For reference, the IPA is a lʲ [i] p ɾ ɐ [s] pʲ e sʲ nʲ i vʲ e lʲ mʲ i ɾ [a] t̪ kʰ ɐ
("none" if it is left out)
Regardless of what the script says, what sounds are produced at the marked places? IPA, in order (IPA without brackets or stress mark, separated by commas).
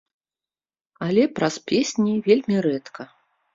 ɛ, s, ɛ